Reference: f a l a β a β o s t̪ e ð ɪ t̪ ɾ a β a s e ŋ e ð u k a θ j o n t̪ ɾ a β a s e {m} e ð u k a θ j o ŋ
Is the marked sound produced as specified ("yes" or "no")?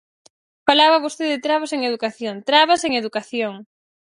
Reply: no